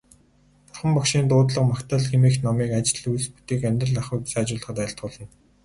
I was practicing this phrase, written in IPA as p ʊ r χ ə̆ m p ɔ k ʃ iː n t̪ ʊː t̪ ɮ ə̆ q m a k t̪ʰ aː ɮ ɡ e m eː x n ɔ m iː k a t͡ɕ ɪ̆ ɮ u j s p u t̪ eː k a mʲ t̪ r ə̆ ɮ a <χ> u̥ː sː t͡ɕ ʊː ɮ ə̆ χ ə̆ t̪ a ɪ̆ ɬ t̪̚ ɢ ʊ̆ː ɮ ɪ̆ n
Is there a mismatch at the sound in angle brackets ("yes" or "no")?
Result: no